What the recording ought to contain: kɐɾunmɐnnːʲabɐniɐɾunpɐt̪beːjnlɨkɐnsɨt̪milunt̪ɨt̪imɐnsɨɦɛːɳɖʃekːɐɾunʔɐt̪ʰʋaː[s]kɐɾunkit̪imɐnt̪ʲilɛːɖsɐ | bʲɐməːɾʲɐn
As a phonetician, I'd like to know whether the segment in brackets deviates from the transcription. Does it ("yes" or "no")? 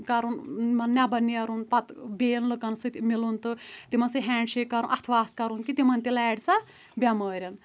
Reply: no